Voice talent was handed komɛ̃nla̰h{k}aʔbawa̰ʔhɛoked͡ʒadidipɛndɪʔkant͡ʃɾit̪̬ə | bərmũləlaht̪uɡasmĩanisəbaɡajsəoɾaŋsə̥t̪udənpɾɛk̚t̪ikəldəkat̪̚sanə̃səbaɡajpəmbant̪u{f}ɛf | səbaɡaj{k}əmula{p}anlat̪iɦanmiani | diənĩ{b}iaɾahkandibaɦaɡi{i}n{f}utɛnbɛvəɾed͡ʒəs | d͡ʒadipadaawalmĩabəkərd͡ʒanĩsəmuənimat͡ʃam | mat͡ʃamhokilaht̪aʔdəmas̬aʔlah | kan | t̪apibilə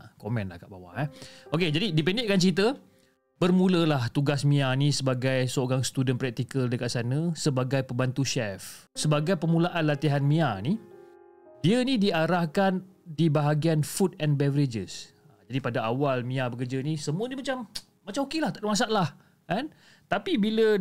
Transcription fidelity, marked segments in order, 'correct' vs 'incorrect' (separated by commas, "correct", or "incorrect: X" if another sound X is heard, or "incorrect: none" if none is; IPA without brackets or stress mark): correct, incorrect: ʃ, incorrect: p, incorrect: ʔ, incorrect: d, incorrect: a, correct